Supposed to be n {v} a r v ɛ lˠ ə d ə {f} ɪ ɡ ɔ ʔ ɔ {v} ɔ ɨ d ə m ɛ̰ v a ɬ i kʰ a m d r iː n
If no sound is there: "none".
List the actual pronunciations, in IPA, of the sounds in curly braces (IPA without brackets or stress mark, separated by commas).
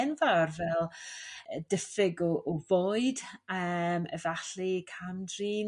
v, f, v